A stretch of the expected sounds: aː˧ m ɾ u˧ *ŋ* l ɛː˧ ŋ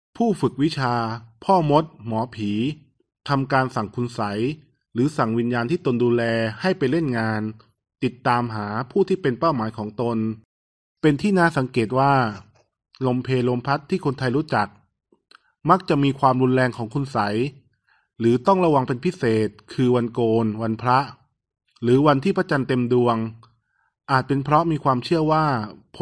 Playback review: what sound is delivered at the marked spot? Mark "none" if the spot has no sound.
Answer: n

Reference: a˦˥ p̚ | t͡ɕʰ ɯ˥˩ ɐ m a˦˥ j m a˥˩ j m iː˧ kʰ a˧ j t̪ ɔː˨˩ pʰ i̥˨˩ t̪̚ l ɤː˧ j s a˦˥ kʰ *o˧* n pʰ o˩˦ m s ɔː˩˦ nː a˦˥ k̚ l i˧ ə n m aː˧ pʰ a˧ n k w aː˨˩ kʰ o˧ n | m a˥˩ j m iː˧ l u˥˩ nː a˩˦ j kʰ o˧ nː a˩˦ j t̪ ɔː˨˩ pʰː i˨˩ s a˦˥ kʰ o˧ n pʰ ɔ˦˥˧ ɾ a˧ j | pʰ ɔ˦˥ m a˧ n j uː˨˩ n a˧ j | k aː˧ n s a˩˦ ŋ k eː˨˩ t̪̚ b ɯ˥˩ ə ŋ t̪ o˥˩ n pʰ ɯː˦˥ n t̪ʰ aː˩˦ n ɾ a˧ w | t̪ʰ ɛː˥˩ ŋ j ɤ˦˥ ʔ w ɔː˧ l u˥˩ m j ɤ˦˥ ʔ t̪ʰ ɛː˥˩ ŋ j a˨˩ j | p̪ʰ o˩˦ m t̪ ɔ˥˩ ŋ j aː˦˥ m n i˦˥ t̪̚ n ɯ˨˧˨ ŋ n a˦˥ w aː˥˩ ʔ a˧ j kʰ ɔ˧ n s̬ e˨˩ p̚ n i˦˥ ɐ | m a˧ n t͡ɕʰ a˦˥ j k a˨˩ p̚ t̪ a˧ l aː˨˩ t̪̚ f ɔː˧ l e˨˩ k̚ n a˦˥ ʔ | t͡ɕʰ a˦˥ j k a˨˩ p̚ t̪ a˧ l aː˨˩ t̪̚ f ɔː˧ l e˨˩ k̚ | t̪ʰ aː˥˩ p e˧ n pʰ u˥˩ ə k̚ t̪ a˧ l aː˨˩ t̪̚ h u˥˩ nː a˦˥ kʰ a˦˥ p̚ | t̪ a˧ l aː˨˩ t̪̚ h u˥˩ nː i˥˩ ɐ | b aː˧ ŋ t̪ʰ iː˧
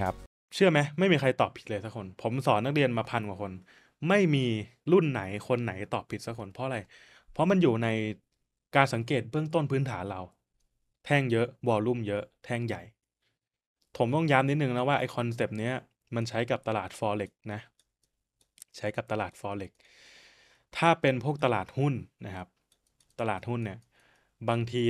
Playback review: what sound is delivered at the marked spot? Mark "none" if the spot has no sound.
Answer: o˧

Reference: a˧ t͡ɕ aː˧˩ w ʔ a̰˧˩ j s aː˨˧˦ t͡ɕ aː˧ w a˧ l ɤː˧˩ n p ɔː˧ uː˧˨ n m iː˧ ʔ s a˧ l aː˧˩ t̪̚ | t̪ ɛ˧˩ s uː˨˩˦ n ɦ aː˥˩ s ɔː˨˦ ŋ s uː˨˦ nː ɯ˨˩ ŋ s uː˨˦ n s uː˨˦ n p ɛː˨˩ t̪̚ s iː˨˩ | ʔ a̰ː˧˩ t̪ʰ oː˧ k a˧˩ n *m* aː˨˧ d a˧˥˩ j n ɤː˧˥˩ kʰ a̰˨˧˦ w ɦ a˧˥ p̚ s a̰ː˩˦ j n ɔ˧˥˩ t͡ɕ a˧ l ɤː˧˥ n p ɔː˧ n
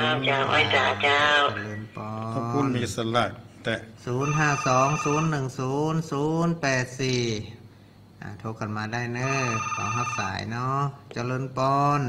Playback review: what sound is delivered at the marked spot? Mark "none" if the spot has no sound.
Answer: m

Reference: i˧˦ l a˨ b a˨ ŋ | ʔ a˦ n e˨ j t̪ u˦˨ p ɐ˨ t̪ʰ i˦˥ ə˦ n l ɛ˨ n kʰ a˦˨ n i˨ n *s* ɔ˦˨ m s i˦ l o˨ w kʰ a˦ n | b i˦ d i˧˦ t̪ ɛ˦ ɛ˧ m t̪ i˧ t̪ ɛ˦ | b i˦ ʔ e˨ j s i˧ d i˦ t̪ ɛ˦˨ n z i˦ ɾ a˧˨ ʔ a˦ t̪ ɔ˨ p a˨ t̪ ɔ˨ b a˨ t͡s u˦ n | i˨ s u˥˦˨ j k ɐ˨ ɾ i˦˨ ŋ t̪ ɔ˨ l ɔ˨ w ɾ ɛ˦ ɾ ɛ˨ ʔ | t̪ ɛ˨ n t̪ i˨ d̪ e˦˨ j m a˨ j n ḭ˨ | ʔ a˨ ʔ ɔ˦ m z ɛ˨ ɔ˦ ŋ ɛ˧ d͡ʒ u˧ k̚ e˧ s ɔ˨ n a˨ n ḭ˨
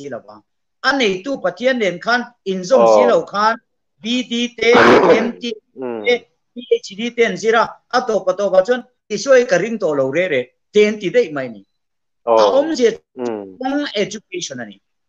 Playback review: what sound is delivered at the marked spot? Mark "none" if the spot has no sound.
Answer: z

